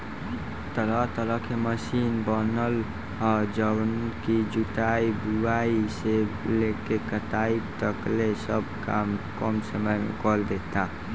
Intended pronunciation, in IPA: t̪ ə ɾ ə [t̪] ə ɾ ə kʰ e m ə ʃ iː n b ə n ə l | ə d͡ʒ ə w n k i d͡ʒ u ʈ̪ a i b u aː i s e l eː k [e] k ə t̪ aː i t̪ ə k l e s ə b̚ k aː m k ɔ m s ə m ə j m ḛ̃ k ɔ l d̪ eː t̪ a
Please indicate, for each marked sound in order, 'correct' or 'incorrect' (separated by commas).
correct, correct